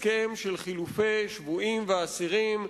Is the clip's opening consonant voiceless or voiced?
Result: voiceless